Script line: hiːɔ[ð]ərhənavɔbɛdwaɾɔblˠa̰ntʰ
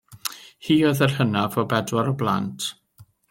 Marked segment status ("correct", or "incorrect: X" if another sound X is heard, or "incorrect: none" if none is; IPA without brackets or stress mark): correct